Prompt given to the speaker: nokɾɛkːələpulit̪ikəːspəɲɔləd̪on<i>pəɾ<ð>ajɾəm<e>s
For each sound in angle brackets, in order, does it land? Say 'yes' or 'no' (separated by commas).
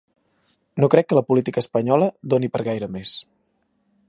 yes, no, yes